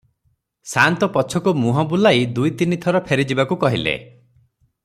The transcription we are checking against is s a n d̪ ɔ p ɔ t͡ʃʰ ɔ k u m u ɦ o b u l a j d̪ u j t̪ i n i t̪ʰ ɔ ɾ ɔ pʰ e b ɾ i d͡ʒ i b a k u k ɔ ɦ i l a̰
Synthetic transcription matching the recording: s a n t̪ ɔ p ɔ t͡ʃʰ ɔ k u m u ɦ ɔ b u l a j d̪ u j t̪ i n i t̪ʰ ɔ ɾ ɔ pʰ e ɾ i d͡ʒ i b a k u k ɔ ɦ i l ḛ